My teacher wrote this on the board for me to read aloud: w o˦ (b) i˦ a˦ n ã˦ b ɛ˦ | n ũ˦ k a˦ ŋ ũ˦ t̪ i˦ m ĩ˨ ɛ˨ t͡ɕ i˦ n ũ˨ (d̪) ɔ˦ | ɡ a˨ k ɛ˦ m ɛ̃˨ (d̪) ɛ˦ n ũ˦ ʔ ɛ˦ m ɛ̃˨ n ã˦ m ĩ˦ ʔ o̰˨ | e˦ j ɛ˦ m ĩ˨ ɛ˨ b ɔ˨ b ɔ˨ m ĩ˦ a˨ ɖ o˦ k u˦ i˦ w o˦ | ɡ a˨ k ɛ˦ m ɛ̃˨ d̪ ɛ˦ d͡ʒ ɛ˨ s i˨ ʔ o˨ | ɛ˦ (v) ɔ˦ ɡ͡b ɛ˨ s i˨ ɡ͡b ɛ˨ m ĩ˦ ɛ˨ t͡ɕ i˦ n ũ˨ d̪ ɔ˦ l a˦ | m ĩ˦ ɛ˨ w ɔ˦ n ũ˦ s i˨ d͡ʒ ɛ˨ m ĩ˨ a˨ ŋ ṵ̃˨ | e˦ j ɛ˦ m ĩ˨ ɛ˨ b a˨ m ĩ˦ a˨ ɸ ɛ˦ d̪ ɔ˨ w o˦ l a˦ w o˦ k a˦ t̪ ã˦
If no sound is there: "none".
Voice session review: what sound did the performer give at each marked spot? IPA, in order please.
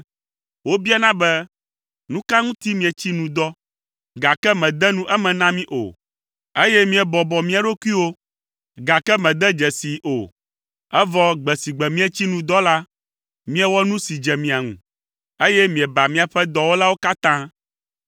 b, d̪, d̪, v

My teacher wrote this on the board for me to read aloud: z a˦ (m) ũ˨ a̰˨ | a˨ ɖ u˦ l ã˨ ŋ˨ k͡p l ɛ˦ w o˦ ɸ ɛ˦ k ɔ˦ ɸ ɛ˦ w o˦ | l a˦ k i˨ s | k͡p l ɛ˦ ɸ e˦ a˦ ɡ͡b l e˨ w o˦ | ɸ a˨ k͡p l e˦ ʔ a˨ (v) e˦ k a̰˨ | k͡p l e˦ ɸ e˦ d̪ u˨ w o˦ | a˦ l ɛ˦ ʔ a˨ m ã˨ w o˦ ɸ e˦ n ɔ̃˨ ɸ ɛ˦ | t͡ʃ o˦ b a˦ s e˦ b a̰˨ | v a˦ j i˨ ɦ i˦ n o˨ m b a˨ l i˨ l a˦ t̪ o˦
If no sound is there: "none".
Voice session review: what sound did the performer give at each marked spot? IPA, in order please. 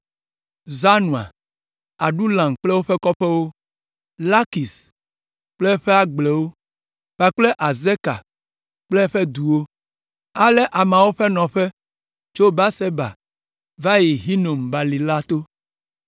n, z

